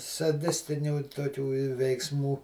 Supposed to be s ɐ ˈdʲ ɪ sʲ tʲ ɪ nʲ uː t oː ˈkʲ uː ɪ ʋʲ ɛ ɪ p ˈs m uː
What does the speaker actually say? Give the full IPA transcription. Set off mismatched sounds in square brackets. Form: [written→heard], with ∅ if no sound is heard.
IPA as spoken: s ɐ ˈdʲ ɪ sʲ tʲ ɪ nʲ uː t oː ˈkʲ uː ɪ ʋʲ ɛ ɪ [p→k] ˈs m uː